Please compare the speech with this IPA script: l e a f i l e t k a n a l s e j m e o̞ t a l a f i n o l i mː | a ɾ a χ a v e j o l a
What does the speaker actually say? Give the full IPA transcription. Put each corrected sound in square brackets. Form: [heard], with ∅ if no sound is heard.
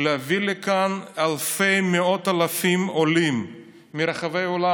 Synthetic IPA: l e a [v] i l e [∅] k a n a l [f] e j m e o̞ t a l a f i [m] o l i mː | [i] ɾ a χ a v e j o l a